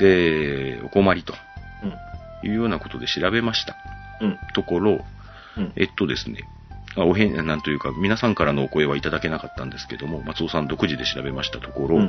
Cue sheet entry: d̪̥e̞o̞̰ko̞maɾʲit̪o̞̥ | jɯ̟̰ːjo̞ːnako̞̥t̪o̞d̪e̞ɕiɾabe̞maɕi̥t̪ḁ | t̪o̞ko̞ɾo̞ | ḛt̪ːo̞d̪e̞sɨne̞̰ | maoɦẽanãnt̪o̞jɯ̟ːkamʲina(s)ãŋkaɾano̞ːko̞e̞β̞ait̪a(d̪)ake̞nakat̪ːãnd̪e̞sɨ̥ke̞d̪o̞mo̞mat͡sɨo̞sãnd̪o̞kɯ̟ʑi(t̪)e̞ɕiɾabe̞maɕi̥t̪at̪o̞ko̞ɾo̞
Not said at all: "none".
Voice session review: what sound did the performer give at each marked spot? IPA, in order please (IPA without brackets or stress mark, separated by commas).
s, d̪, d̪